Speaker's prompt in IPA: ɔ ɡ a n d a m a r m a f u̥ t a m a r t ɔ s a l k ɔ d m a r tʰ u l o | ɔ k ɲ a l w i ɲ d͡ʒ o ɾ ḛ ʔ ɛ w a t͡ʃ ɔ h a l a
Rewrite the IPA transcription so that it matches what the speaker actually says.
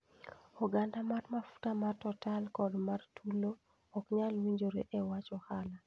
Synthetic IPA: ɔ ɡ a n d a m a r m a f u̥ t a m a r t ɔ t a l k ɔ d m a r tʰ u l o | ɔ k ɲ a l w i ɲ d͡ʒ o ɾ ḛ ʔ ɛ w a t͡ʃ ɔ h a l a